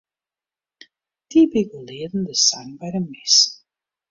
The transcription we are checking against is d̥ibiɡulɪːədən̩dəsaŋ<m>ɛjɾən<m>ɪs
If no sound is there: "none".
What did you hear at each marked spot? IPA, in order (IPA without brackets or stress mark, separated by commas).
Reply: b, m